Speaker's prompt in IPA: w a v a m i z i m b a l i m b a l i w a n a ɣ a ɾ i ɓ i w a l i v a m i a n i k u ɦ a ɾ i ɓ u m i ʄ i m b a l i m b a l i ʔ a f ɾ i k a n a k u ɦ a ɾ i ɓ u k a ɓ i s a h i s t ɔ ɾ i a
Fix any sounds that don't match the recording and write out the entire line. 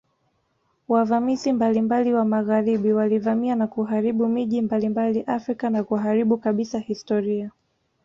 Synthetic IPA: w a v a m i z i m b a l i m b a l i w a m a ɣ a ɾ i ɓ i w a l i v a m i a n a k u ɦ a ɾ i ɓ u m i ʄ i m b a l i m b a l i ʔ a f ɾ i k a n a k u ɦ a ɾ i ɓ u k a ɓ i s a h i s t ɔ ɾ i a